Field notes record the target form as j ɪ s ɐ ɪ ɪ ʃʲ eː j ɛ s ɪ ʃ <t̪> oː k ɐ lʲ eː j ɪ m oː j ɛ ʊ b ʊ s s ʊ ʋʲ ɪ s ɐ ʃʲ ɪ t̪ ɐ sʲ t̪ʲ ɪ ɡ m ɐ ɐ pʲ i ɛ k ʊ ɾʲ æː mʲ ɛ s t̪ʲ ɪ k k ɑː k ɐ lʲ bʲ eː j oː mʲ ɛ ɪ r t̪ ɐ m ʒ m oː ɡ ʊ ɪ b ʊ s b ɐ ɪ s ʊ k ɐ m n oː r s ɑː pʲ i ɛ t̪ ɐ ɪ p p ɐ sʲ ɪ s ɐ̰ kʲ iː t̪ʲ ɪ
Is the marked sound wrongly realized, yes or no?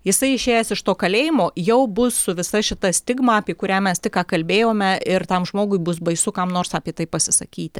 no